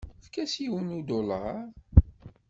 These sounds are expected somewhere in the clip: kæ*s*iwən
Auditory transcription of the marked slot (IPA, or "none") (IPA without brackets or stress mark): s